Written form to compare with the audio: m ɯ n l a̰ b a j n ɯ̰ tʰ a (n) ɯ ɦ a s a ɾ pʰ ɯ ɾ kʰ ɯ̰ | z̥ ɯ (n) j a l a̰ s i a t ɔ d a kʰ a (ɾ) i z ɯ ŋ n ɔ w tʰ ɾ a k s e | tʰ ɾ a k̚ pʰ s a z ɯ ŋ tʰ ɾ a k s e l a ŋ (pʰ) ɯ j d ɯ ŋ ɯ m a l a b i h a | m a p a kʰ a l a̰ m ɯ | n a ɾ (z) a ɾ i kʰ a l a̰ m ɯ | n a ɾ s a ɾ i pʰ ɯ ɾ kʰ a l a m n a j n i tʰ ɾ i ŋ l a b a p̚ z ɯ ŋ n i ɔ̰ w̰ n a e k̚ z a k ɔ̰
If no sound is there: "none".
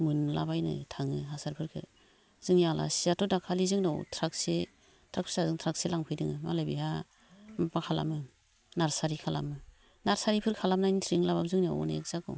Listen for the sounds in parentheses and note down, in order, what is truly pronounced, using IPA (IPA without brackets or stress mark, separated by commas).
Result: ŋ, ŋ, l, pʰ, s